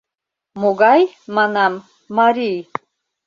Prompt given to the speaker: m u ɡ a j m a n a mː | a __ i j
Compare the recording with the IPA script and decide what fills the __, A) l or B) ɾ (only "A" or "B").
B